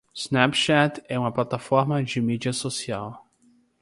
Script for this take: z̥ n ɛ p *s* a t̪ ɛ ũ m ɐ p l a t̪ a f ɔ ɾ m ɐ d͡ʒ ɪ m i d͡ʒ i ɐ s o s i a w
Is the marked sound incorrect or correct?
incorrect